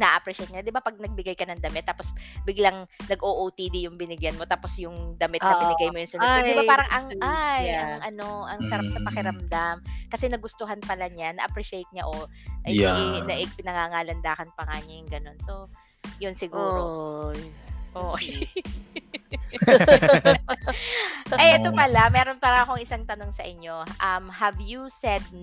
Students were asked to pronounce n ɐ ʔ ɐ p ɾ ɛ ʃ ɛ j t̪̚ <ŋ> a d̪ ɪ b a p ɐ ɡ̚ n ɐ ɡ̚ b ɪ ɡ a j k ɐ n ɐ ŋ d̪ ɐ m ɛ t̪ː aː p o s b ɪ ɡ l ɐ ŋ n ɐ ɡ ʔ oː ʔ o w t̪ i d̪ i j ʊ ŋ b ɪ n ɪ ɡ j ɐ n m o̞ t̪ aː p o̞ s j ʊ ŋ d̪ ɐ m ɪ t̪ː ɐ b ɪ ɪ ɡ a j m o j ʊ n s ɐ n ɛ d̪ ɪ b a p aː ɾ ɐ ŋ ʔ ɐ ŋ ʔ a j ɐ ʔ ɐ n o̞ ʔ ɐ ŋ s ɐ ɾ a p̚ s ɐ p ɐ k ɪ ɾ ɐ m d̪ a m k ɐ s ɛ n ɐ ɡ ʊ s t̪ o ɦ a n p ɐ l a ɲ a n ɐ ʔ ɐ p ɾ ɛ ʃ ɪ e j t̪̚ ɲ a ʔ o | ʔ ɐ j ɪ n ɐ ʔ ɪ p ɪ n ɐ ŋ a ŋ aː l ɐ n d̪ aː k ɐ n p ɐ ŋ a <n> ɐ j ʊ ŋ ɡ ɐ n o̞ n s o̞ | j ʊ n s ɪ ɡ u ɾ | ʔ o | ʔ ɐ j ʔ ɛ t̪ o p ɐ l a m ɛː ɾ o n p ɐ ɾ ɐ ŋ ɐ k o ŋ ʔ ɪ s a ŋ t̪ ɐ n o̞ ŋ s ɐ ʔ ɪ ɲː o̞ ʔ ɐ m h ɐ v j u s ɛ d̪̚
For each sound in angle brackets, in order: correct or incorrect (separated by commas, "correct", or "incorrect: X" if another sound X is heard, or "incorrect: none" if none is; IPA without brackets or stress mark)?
incorrect: ɲ, incorrect: ɲ